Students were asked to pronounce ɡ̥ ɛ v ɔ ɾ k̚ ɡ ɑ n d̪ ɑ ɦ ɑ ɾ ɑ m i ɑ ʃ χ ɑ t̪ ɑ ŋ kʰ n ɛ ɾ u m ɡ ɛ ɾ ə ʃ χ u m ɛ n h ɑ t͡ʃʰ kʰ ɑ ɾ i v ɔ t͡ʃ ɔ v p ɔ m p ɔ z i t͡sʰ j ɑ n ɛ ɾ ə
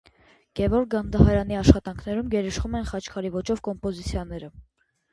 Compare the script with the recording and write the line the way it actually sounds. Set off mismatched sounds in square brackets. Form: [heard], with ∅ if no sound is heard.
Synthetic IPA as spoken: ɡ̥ ɛ v ɔ ɾ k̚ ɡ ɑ n d̪ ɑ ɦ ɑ ɾ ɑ [n] i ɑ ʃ χ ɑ t̪ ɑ ŋ kʰ n ɛ ɾ u m ɡ ɛ ɾ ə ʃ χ u m ɛ n [χ] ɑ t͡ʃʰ kʰ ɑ ɾ i v ɔ t͡ʃ ɔ v [k] ɔ m p ɔ z i t͡sʰ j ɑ n ɛ ɾ ə